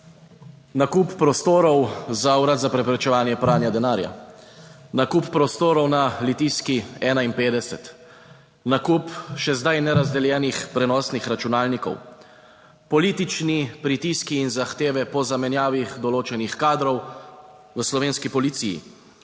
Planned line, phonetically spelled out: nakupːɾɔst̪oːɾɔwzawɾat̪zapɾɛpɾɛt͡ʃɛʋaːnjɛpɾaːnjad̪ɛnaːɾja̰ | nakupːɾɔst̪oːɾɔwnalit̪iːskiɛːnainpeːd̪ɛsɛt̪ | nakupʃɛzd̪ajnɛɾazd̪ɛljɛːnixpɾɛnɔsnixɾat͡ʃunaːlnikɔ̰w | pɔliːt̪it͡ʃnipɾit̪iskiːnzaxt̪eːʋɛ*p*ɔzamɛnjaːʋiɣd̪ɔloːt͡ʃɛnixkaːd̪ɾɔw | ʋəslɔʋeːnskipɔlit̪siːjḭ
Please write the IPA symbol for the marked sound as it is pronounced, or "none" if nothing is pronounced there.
p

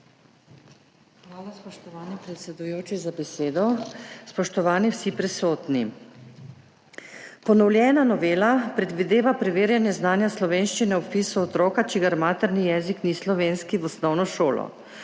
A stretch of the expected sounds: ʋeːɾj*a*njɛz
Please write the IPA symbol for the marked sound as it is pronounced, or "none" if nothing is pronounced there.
a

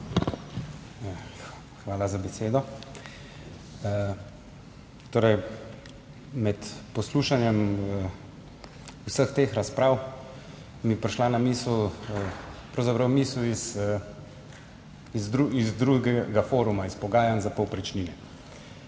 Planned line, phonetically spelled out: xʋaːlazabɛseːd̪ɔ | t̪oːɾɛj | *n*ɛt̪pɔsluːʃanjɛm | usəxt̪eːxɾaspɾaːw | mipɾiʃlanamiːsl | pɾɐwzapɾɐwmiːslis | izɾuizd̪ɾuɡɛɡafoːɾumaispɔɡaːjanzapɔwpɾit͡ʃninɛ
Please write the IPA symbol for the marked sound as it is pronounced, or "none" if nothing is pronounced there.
m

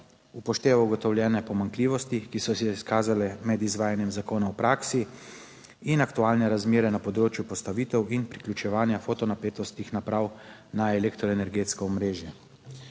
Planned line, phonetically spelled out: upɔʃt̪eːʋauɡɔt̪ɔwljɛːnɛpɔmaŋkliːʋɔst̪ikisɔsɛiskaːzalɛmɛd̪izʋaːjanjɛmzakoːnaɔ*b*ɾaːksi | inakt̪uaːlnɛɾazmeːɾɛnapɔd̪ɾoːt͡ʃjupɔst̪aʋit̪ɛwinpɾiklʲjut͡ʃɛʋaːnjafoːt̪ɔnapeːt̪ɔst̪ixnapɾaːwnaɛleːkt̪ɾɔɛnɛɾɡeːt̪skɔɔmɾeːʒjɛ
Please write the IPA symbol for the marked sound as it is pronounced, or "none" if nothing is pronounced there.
p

